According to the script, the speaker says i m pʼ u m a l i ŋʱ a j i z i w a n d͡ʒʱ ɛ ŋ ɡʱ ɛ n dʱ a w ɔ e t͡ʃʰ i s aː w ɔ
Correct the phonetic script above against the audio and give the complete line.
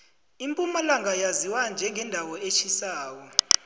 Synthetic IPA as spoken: i m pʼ u m a l a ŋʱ a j a z i w a n d͡ʒʱ ɛ ŋ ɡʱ ɛ n dʱ a w ɔ e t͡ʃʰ i s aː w ɔ